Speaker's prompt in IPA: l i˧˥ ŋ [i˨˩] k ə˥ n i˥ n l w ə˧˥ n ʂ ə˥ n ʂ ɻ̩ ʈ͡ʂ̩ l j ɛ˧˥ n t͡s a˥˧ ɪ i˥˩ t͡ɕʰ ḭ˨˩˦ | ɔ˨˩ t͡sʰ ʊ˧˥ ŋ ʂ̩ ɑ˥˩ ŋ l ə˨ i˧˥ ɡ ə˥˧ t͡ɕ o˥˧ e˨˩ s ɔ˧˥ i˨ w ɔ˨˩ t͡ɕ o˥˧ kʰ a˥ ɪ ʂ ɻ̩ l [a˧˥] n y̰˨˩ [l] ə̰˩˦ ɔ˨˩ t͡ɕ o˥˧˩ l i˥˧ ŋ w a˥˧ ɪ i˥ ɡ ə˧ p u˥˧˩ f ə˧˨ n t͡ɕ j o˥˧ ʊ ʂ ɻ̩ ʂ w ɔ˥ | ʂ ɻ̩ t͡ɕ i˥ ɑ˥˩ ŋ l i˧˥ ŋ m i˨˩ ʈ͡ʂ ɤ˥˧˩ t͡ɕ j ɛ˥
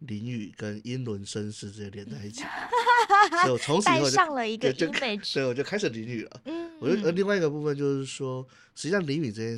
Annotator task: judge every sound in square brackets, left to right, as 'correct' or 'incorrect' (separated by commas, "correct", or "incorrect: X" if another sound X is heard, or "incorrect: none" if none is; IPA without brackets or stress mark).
incorrect: y˨˩, incorrect: i˧˥, correct